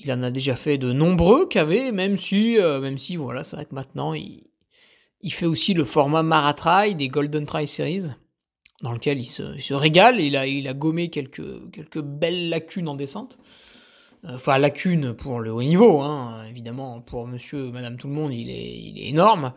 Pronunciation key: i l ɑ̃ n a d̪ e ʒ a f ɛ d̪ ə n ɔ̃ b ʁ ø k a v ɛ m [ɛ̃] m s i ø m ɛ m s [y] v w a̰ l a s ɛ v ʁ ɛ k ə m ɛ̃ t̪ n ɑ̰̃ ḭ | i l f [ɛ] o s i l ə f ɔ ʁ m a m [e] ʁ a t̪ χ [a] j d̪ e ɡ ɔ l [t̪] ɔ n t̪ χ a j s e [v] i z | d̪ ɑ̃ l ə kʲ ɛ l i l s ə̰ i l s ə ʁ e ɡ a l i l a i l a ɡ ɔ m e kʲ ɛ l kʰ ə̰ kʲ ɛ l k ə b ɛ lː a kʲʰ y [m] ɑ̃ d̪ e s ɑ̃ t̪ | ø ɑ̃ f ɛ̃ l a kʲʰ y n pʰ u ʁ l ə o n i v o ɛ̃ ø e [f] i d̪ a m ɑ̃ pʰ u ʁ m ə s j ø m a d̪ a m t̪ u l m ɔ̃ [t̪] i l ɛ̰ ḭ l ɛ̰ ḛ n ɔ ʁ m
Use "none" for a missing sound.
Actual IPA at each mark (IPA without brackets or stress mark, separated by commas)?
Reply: ɛ, i, ɛ, a, a, d̪, ʁ, n, v, d̪